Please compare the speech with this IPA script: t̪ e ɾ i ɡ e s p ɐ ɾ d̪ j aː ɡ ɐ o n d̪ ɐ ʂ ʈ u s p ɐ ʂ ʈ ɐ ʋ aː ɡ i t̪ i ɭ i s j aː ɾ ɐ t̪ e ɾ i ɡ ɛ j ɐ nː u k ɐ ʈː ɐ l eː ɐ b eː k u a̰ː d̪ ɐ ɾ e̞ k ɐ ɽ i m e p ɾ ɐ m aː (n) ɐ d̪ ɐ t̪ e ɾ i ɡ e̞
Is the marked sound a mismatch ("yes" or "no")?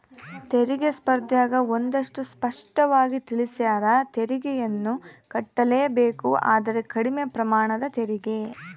yes